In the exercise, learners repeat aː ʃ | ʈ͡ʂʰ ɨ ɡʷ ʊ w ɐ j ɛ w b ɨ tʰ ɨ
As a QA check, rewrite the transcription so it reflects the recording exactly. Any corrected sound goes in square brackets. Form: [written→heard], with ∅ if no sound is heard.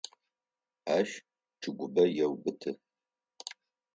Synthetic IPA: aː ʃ | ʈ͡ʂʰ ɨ ɡʷ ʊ [w→b] ɐ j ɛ w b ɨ tʰ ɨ